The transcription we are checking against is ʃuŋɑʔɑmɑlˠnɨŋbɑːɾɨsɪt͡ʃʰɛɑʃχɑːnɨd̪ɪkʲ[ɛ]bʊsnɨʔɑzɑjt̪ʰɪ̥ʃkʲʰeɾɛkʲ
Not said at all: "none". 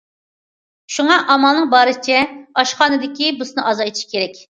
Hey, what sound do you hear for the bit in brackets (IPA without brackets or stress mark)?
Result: i